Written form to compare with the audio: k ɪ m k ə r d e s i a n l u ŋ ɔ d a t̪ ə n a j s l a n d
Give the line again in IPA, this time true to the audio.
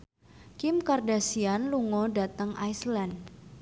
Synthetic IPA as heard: k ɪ m k a r d a s i a n l u ŋ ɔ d a t̪ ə ŋ a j s l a n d